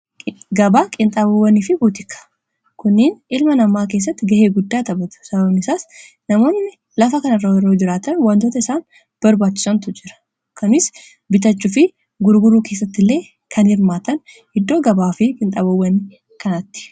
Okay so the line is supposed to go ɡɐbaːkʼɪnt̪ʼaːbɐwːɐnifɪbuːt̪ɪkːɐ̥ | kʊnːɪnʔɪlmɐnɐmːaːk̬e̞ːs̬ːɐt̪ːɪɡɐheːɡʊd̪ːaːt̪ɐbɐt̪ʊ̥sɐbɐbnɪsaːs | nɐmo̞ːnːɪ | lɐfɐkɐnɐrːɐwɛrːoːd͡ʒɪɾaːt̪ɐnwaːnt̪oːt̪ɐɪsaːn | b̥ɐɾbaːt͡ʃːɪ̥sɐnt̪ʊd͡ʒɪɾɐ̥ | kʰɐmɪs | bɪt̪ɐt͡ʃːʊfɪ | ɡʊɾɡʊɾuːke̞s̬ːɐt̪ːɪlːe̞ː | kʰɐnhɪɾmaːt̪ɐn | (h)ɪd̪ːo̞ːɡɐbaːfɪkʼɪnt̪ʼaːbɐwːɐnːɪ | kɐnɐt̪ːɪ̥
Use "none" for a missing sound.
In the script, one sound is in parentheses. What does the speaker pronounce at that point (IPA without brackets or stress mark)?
h